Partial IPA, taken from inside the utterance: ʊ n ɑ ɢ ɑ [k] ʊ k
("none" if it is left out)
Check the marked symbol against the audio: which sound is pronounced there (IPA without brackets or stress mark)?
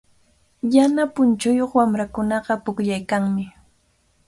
p